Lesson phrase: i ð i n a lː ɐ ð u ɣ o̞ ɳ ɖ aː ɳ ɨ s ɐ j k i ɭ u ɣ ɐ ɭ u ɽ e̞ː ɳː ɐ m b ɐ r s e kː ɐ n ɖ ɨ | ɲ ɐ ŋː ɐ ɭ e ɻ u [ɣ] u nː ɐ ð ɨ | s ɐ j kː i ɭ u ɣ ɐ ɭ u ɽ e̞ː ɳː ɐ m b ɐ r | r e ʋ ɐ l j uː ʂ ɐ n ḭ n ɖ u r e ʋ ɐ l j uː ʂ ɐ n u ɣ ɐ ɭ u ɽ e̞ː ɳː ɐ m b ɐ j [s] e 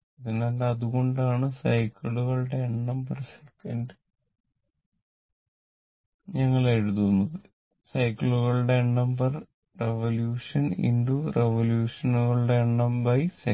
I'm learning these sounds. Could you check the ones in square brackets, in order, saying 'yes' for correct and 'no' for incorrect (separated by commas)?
no, yes